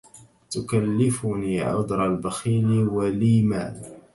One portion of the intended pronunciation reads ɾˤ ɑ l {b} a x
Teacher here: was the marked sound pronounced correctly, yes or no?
yes